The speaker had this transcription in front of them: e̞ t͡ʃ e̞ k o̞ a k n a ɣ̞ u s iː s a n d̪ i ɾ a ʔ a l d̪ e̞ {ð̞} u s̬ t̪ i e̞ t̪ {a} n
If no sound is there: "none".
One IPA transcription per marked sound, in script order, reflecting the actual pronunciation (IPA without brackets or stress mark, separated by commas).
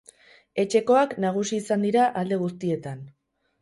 ɣ̞, a